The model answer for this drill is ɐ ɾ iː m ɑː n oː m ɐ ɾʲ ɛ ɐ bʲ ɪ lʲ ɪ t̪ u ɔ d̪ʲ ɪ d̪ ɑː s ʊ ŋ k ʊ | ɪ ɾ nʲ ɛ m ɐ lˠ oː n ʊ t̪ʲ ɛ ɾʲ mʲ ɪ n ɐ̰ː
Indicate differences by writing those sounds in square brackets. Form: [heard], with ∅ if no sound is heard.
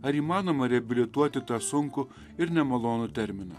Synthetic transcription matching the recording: ɐ ɾ iː m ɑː n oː m ɐ ɾʲ ɛ ɐ bʲ ɪ lʲ ɪ t̪ u ɔ [t̪ʲ] ɪ [t̪] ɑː s ʊ ŋ k ʊ | ɪ ɾ nʲ ɛ m ɐ lˠ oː n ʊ t̪ʲ ɛ ɾʲ mʲ ɪ n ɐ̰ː